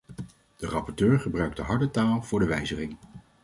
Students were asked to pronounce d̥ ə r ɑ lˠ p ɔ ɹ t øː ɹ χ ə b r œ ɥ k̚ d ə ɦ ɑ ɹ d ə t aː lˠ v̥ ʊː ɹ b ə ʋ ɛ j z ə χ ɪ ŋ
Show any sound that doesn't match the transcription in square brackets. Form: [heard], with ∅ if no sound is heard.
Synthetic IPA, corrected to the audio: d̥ ə r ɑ [∅] p ɔ ɹ t øː ɹ χ ə b r œ ɥ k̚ d ə ɦ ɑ ɹ d ə t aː lˠ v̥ ʊː ɹ [d] ə ʋ ɛ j z ə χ ɪ ŋ